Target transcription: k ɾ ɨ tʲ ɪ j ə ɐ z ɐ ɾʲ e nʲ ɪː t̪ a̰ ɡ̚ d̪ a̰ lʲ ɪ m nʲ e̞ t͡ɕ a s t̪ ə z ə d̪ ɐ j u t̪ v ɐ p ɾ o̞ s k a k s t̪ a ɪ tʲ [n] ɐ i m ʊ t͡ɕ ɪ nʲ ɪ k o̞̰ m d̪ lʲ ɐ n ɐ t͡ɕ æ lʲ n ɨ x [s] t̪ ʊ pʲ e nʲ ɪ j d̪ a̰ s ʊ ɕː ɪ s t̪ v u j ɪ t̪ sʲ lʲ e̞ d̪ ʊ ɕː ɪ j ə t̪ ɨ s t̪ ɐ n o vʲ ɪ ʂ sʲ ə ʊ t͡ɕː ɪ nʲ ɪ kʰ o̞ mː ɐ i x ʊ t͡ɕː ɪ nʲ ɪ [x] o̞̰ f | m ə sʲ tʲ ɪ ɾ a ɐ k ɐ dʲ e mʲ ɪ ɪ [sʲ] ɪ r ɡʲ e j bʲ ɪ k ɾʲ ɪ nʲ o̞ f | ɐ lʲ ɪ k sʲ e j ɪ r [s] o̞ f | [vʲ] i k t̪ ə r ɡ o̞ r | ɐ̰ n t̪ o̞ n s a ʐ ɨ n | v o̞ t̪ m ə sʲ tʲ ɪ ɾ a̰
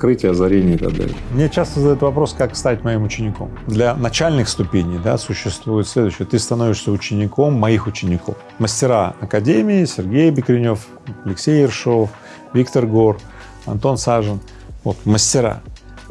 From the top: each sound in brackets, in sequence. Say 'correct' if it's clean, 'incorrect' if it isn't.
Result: incorrect: m, correct, incorrect: k, correct, incorrect: ʂ, correct

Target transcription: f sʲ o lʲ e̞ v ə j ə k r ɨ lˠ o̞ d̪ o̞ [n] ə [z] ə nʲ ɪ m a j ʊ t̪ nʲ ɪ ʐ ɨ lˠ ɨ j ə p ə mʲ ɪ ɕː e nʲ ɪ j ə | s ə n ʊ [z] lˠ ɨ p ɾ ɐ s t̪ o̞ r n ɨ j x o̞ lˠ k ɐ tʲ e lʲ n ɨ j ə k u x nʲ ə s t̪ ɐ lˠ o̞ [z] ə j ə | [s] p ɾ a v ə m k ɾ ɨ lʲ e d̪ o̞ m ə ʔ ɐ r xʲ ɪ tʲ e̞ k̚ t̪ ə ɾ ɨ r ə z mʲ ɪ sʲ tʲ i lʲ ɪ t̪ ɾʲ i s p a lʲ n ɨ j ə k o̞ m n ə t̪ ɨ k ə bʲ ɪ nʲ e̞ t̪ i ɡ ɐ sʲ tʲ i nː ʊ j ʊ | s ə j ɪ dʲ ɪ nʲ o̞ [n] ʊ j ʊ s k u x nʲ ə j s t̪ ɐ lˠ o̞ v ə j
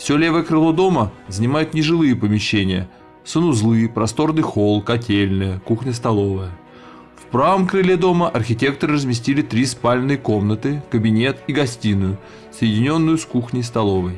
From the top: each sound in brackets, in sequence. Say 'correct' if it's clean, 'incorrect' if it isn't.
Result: incorrect: m, correct, correct, incorrect: v, incorrect: f, incorrect: nː

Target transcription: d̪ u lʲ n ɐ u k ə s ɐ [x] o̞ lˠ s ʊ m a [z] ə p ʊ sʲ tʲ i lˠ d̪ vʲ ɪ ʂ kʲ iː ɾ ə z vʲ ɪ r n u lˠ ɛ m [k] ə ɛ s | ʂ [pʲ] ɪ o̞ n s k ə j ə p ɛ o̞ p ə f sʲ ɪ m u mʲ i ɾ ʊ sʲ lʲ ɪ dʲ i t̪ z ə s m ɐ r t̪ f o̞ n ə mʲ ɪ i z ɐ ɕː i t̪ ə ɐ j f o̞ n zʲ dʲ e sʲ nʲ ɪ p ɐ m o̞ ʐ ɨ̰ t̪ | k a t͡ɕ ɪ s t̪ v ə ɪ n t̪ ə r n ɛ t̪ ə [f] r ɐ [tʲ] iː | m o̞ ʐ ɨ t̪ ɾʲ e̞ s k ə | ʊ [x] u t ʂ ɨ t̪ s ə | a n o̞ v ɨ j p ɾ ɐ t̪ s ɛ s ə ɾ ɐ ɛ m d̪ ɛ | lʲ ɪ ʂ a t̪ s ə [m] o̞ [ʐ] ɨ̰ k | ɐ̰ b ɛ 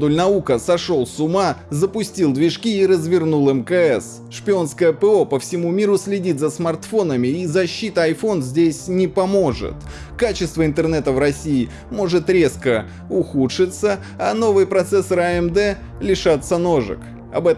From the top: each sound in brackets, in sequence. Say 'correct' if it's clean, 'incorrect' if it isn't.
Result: incorrect: ʂ, correct, correct, correct, incorrect: v, incorrect: sʲ, correct, incorrect: n, correct

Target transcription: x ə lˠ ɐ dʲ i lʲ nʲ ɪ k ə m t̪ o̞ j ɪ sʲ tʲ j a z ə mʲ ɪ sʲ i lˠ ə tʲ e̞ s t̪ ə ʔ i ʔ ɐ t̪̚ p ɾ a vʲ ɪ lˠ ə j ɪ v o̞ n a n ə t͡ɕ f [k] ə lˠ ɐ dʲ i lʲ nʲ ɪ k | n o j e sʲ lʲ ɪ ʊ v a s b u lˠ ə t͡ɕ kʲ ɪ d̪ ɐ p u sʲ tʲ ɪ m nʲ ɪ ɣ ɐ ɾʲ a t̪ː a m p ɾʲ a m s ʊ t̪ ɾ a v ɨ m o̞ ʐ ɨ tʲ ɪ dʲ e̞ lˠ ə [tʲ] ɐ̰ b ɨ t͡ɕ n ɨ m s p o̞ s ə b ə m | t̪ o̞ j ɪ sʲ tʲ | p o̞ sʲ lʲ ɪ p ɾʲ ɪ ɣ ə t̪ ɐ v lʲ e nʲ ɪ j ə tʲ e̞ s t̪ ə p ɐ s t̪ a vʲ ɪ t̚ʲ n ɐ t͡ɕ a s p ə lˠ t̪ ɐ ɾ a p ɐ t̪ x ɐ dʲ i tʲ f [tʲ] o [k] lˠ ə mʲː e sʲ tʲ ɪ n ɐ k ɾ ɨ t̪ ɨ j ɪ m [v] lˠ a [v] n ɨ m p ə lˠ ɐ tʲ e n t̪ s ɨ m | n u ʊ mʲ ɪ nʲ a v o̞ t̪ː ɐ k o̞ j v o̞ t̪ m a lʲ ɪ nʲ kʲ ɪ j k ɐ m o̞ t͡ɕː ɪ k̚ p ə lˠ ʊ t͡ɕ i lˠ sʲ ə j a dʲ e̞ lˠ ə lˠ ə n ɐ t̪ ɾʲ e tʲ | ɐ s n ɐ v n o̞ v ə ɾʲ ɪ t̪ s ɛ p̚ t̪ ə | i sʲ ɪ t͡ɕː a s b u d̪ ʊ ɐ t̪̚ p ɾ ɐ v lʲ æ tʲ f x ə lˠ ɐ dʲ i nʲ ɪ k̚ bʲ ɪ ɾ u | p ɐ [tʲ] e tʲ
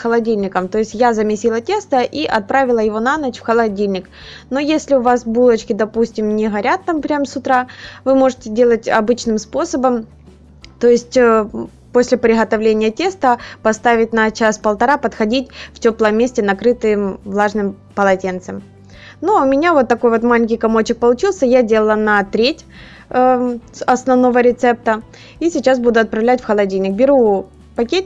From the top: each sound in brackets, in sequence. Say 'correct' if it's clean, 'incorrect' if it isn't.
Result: incorrect: x, correct, correct, incorrect: p, correct, incorrect: ʐ, incorrect: kʲ

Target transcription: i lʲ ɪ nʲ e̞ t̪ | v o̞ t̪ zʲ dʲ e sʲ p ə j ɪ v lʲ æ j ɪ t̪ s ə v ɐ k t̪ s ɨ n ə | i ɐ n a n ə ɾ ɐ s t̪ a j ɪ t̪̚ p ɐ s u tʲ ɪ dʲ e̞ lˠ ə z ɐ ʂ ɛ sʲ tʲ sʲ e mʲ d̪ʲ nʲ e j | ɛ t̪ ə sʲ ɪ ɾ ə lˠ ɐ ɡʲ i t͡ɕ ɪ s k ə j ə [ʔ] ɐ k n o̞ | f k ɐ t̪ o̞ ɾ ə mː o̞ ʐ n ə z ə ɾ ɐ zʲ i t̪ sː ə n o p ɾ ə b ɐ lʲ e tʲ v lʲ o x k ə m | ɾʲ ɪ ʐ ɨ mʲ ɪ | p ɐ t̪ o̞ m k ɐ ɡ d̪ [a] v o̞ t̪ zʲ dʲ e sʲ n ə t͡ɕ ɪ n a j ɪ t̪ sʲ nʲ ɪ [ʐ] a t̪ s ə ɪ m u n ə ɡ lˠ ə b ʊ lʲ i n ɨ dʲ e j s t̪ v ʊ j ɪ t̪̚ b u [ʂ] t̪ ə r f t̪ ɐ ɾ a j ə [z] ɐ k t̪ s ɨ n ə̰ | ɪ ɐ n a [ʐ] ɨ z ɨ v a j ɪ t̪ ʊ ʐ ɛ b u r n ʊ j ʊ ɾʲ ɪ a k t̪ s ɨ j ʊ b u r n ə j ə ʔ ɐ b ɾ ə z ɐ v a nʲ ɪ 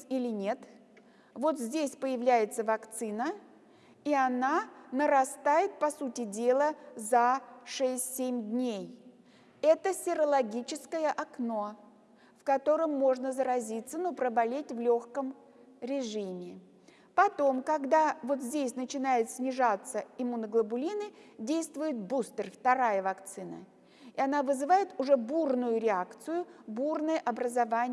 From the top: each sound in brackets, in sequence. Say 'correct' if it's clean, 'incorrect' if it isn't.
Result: correct, correct, correct, incorrect: s, incorrect: v, incorrect: v

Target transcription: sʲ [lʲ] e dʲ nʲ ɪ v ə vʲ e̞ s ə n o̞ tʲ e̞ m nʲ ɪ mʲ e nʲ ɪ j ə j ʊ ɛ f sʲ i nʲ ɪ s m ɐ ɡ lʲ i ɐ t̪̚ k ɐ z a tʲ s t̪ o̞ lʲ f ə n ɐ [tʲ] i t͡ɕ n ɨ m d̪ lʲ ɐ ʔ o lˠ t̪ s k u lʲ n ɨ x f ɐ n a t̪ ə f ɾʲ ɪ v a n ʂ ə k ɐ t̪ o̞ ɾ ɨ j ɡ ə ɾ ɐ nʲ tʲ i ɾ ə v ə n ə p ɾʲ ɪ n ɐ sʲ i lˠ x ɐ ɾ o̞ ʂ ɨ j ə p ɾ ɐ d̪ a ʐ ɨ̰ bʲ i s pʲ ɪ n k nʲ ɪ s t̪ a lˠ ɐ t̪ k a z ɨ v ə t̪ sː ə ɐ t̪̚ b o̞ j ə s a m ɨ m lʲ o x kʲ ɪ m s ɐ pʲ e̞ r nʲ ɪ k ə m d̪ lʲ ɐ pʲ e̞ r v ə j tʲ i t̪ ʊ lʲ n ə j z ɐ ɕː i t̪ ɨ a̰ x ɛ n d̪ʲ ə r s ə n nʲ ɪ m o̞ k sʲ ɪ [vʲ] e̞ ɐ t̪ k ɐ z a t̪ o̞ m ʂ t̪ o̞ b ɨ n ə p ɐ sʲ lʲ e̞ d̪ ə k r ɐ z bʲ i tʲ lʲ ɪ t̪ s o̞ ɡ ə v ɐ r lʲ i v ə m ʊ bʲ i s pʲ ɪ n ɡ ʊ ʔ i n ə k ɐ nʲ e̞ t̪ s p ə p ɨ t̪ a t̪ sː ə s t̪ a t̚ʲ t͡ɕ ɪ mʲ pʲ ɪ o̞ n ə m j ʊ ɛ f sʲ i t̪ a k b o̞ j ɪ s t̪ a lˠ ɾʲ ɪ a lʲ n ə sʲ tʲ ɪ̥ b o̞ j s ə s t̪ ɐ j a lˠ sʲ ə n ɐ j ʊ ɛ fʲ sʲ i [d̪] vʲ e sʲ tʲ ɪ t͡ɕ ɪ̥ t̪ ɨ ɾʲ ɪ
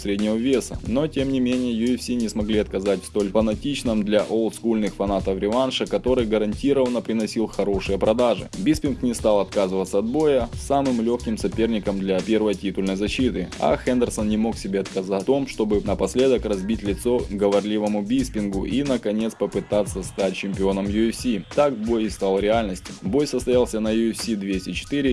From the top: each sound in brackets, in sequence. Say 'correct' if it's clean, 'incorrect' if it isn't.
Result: incorrect: ɾʲ, correct, incorrect: bʲ, correct

